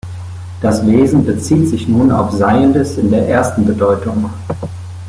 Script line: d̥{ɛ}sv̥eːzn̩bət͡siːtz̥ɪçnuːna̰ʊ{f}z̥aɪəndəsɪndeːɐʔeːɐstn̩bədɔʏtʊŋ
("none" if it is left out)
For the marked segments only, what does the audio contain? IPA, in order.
a, f

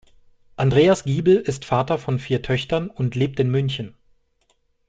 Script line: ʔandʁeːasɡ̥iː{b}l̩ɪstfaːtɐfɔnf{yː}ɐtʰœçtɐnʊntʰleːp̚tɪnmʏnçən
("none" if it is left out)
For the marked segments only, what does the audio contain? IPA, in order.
b, iː

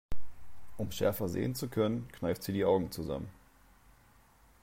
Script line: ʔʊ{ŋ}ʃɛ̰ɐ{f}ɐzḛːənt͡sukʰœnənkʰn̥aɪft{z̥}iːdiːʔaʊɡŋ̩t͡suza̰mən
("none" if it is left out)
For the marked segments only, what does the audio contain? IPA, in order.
m, f, z̥

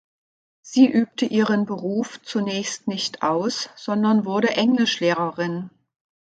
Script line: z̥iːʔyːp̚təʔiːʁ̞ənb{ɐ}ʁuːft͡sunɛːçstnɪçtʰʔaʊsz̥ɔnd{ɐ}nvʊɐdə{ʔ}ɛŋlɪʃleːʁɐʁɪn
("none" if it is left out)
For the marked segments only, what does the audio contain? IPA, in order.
ə, ɐ, ʔ

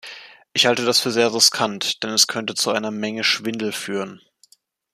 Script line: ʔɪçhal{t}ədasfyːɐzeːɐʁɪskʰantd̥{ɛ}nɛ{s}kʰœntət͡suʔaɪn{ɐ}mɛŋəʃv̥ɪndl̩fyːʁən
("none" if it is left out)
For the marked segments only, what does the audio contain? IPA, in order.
t, ɛ, s, ɐ

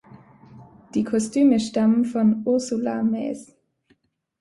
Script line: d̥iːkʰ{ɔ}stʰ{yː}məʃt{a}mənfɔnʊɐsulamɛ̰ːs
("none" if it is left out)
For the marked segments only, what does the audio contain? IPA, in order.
ɔ, yː, a

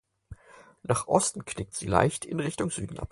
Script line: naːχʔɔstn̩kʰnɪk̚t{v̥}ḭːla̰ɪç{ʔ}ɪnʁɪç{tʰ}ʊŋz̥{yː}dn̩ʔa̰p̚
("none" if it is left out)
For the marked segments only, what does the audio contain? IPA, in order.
z̥, t, t, yː

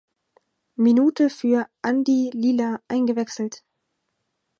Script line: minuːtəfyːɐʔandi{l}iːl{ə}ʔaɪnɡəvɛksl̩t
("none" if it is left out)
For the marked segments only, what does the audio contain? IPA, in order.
l, a

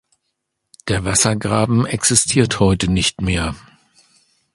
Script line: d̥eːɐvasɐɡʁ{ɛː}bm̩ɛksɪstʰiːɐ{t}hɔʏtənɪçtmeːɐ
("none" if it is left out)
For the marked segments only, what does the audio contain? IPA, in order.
aː, t

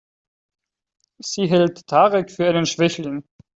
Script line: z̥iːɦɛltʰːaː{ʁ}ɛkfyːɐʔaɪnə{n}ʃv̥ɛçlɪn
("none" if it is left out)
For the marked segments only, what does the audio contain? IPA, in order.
ʁ, n

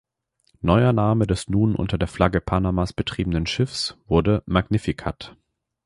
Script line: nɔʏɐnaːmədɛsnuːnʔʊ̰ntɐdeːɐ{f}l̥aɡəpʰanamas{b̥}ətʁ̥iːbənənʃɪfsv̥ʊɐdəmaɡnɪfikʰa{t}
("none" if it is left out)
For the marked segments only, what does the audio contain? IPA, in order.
f, b̥, t

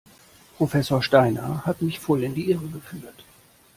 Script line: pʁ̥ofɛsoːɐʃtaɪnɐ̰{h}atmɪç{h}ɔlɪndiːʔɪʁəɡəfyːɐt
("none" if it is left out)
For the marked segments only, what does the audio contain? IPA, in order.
h, f

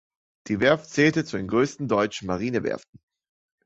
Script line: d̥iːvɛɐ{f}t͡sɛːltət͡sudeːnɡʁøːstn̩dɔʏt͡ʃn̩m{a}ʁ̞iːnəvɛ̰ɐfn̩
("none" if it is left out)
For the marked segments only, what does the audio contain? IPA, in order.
f, a

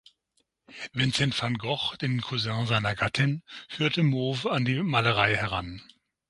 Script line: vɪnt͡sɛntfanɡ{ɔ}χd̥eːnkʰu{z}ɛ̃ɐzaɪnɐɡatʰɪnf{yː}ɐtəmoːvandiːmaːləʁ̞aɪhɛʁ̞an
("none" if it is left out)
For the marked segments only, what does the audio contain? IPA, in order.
ɔ, z, yː

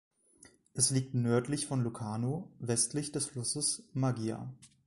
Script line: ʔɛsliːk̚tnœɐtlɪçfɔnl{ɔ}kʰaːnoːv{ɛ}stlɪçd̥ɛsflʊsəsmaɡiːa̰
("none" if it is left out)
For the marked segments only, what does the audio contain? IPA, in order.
u, ɛ

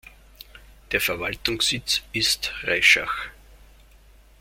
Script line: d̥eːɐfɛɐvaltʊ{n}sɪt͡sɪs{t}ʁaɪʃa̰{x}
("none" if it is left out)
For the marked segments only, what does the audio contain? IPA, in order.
ŋ, t, x

